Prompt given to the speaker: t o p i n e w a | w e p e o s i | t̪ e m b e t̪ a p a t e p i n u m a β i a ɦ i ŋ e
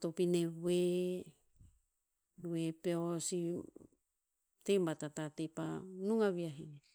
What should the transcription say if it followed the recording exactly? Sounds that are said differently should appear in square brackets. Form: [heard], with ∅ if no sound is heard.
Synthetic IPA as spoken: t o p i n e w [e] | w e p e o s i | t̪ e m b [a] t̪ a [t] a t e p [a] n u [ŋ] a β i a ɦ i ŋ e